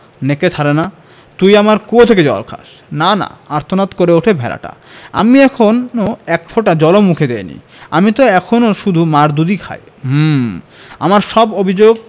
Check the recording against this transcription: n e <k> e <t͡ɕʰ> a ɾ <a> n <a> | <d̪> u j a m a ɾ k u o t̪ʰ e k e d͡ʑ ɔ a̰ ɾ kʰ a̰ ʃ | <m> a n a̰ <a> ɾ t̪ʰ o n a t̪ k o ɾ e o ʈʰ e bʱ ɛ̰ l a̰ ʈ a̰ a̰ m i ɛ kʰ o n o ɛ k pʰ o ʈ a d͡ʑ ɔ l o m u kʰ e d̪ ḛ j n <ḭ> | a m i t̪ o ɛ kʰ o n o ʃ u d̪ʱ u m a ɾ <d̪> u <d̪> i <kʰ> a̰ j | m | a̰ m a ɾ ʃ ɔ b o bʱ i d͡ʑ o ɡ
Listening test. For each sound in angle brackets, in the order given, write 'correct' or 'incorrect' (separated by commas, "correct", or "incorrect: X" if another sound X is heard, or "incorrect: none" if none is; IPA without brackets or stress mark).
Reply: correct, correct, incorrect: e, correct, incorrect: t̪, incorrect: n, correct, correct, correct, correct, correct